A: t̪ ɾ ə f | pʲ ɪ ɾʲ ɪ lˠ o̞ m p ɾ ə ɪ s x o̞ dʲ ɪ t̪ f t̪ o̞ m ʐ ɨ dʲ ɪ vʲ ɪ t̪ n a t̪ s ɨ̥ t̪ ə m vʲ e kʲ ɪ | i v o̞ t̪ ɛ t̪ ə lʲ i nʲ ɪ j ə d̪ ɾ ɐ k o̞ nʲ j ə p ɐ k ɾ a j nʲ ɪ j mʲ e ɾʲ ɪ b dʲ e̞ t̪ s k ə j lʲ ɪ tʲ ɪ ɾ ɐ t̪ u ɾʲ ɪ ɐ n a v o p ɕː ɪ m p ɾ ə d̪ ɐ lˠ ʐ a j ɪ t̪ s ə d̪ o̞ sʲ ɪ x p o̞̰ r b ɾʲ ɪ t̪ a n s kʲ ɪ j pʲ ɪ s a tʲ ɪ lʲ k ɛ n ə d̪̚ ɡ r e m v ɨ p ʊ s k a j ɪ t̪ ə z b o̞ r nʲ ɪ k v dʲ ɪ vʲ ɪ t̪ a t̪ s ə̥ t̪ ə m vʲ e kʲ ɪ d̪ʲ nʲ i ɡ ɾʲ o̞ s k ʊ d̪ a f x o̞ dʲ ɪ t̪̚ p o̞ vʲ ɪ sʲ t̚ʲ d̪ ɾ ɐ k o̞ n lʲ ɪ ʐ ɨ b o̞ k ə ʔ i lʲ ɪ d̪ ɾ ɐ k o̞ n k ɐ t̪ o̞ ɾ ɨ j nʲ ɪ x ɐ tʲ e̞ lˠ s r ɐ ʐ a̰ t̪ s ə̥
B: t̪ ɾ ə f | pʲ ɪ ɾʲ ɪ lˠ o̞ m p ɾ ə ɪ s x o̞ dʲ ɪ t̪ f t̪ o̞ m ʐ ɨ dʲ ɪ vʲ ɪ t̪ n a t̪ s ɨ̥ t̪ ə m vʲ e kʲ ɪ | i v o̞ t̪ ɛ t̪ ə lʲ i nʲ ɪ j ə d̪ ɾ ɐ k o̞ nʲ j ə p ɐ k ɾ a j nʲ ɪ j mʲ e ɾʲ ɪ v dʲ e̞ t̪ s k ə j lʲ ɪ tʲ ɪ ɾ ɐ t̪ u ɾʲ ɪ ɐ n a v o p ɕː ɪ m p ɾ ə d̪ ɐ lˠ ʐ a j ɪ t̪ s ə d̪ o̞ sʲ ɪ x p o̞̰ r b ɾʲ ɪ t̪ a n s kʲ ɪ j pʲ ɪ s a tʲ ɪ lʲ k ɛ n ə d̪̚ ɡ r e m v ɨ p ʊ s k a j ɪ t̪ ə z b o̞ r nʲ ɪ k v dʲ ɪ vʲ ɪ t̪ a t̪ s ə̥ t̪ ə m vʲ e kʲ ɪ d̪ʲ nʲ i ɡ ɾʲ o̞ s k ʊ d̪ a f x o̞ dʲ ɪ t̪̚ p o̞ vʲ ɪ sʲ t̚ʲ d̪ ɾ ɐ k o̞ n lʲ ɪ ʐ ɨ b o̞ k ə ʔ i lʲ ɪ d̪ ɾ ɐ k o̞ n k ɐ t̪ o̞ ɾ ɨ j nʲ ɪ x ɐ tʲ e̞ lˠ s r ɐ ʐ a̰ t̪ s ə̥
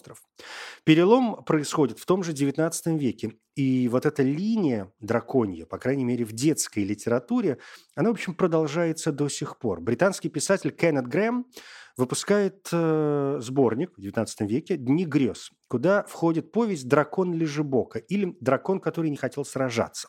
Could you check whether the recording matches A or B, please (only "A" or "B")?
B